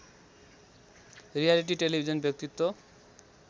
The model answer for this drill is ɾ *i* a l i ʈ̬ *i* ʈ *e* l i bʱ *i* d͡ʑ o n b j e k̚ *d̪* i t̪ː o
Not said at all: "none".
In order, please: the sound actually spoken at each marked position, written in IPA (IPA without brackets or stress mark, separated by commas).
i, i, e, i, t̪